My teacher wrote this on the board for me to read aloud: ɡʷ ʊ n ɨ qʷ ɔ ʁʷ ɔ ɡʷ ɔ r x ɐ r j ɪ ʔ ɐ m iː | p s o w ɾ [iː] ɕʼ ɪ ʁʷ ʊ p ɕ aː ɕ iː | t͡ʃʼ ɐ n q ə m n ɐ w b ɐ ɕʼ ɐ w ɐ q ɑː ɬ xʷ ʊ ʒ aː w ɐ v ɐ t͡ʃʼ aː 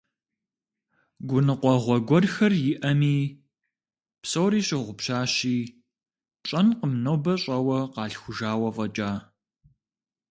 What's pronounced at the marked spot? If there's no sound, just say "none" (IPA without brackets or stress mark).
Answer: iː